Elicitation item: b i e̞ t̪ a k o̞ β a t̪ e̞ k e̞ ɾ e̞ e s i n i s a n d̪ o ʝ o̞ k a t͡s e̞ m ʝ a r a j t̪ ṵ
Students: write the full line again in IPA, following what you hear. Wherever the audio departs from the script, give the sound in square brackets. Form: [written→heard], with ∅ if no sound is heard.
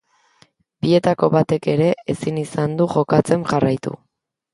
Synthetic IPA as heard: b i e̞ t̪ a k o̞ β a t̪ e̞ k e̞ ɾ e̞ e s i n i s a n d̪ [o→u] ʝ o̞ k a t͡s e̞ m ʝ a r a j t̪ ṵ